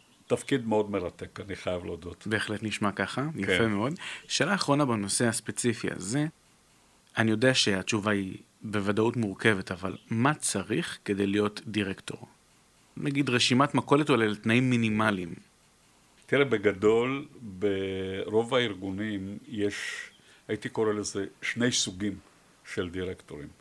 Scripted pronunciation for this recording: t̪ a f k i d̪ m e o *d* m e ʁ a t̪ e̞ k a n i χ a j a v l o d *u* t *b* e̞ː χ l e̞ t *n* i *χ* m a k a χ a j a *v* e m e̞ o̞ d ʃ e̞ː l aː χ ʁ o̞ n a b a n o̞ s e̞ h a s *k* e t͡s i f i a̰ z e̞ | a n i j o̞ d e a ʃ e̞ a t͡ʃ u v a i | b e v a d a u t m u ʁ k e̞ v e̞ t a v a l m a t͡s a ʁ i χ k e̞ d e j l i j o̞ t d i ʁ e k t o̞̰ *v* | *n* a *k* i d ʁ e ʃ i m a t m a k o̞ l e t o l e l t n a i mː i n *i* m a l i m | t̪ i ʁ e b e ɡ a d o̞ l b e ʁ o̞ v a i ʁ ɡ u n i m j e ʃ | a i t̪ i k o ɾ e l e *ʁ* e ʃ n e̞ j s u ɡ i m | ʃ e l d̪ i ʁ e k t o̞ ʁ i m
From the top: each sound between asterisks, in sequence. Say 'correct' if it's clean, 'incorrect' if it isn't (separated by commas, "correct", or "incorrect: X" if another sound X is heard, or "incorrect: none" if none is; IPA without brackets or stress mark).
correct, incorrect: o, correct, correct, incorrect: ʃ, incorrect: f, incorrect: p, incorrect: ʁ, correct, incorrect: ɡ, correct, incorrect: z